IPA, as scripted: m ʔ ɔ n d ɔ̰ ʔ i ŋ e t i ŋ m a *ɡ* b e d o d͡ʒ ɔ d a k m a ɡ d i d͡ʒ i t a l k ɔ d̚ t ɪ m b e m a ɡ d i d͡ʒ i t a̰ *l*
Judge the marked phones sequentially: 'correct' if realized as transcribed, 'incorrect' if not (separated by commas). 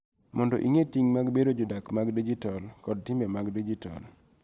correct, correct